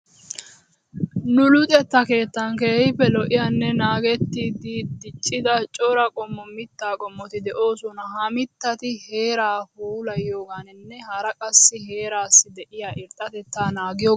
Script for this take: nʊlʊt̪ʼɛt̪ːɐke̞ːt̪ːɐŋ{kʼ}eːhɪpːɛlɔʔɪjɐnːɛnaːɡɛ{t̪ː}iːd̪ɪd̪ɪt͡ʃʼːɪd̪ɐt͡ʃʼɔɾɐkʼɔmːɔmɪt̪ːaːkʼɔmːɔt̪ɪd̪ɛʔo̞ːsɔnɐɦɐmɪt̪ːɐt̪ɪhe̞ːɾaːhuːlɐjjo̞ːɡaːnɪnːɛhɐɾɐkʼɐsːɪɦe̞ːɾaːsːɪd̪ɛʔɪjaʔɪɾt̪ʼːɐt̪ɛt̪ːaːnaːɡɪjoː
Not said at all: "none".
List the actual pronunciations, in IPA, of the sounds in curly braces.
k, t̪ː

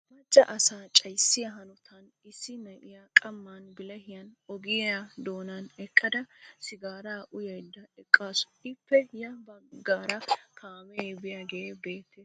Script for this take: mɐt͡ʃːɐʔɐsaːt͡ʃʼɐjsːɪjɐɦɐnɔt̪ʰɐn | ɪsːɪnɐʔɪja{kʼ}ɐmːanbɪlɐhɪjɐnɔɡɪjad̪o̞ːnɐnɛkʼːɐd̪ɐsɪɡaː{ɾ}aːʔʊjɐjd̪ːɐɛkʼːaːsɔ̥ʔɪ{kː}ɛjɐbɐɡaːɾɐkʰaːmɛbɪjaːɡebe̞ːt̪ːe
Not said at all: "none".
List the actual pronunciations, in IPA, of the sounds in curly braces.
kʼ, ɾ, pː

